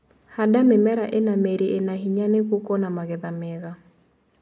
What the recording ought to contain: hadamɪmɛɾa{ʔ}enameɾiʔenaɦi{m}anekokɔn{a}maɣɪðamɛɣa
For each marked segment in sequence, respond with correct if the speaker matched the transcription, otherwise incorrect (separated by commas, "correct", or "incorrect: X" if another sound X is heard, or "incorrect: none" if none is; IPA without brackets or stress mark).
correct, incorrect: ɲ, correct